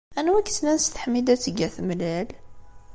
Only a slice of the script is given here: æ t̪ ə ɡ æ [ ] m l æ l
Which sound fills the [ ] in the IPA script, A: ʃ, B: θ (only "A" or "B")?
B